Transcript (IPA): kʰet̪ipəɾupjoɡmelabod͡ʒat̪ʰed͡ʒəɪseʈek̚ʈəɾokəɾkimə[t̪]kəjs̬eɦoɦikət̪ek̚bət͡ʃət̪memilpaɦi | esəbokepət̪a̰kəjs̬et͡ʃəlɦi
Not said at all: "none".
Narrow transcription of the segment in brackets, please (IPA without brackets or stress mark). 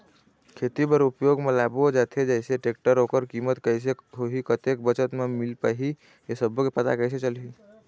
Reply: t̪